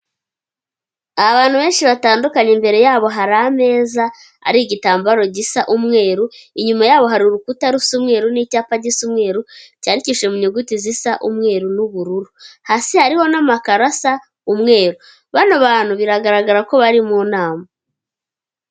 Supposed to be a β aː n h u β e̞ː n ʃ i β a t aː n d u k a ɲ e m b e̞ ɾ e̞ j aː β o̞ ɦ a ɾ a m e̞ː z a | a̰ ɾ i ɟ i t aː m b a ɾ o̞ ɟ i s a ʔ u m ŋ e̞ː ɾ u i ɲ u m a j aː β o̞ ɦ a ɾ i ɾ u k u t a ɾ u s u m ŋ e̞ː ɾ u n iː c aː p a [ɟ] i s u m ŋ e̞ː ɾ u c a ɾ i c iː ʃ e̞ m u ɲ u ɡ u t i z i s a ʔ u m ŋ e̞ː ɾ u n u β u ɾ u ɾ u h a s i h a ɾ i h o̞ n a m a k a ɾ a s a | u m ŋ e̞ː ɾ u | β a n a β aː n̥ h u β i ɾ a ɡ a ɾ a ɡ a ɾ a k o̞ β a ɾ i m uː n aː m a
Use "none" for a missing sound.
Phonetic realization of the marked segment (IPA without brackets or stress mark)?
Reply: ɟ